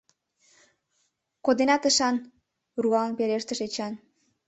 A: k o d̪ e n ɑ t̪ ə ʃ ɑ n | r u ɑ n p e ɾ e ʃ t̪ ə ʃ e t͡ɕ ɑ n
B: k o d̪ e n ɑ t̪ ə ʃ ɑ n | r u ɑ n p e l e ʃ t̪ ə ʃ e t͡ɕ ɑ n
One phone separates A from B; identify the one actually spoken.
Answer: A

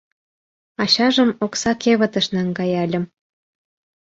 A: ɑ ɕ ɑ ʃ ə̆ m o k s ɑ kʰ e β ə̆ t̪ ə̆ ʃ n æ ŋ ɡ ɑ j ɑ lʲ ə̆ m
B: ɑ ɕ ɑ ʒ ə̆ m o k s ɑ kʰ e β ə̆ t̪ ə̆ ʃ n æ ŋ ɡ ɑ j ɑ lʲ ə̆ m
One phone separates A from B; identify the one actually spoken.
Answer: B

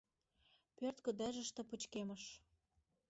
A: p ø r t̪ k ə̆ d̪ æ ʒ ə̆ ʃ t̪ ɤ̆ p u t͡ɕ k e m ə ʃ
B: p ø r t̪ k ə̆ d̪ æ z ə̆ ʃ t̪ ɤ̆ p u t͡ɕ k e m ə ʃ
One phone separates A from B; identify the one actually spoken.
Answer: A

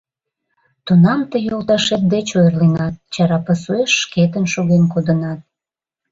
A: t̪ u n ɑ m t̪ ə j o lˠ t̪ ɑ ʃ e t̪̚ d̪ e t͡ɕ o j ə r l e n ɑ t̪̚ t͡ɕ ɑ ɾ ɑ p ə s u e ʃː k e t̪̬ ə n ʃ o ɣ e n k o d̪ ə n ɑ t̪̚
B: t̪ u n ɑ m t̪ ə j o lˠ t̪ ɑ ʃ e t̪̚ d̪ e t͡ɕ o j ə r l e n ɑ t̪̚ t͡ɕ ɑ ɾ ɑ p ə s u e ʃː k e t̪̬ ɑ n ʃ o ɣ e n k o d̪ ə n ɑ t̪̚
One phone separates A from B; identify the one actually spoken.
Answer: A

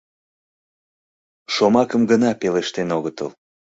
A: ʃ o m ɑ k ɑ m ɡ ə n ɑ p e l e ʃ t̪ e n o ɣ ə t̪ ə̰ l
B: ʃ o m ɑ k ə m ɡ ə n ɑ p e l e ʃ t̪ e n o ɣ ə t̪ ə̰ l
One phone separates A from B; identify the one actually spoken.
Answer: B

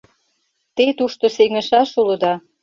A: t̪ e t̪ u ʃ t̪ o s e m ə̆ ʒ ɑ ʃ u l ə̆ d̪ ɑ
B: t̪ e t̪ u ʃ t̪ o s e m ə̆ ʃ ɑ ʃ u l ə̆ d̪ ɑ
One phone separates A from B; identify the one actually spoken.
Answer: B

